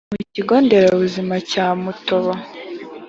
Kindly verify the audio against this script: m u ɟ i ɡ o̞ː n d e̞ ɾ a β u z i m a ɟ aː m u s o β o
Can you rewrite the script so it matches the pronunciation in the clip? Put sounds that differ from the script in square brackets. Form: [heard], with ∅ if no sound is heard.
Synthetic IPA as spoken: m u [c] i ɡ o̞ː n d e̞ ɾ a β u z i m a [c] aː m u [t] o β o